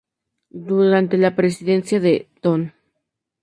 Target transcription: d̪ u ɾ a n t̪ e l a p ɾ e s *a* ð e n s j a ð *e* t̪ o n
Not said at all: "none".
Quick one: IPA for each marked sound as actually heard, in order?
i, e

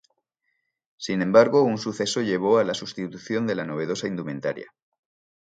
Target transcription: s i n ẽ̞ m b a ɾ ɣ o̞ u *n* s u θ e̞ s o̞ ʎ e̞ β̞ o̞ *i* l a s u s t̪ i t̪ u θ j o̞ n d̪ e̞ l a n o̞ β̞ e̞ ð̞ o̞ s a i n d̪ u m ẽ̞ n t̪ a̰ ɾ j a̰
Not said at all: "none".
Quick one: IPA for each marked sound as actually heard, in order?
n, a

